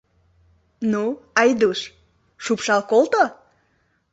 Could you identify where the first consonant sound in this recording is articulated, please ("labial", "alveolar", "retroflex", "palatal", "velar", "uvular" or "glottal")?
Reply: alveolar